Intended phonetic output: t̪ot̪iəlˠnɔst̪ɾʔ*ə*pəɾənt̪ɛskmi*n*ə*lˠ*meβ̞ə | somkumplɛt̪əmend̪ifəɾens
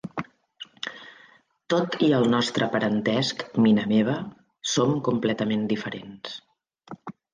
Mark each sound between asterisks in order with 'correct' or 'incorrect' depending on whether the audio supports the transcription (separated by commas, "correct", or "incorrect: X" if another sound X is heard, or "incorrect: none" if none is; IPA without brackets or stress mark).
correct, correct, incorrect: none